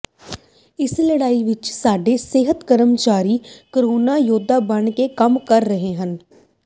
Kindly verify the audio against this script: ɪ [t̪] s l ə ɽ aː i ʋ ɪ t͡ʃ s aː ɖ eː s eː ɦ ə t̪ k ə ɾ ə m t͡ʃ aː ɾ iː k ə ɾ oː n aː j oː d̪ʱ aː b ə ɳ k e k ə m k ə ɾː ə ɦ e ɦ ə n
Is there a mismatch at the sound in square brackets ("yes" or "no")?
yes